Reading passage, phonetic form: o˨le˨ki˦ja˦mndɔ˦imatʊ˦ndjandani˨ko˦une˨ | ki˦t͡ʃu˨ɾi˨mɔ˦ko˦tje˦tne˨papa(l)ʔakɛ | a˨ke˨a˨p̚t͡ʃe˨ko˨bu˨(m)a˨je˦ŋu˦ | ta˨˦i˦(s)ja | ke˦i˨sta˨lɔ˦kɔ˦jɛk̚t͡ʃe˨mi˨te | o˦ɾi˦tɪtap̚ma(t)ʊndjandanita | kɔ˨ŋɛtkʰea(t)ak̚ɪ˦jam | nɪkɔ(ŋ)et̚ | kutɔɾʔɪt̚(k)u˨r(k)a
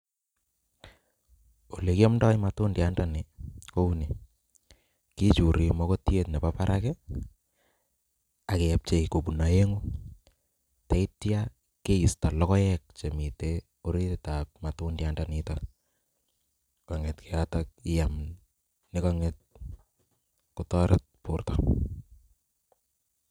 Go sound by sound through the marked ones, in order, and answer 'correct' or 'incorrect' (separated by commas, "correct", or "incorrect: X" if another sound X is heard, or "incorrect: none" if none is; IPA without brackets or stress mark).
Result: incorrect: ɾ, incorrect: n, incorrect: t, correct, correct, correct, incorrect: p, incorrect: t